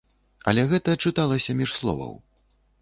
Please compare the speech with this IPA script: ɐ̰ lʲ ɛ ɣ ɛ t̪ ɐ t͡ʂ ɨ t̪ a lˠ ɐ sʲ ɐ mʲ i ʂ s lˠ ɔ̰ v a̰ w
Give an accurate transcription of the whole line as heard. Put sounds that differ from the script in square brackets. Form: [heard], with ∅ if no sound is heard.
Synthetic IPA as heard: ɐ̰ lʲ ɛ ɣ ɛ t̪ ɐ t͡ʂ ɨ t̪ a lˠ ɐ sʲ ɐ mʲ i ʂ s lˠ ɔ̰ v [ɐ̰] w